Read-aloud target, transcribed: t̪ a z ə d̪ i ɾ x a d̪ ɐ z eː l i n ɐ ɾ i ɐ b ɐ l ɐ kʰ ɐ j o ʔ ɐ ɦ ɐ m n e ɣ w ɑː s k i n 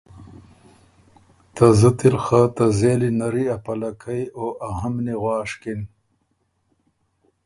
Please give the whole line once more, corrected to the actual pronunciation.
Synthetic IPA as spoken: t̪ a z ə t̪ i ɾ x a t̪ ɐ z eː l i n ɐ ɾ i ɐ p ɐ l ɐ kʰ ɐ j o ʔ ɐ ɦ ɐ m n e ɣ w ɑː ʂ k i n